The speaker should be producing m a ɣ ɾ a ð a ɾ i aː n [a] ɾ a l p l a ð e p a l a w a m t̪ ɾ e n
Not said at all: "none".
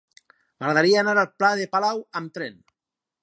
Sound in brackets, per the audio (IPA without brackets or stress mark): a